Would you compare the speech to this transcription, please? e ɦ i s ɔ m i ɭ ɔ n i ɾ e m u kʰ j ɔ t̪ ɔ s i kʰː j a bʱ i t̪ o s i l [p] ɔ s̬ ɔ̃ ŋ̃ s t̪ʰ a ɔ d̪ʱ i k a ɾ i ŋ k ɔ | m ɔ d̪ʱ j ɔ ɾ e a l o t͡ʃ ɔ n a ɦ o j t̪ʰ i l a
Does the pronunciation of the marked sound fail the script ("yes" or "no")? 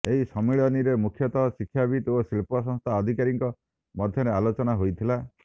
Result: no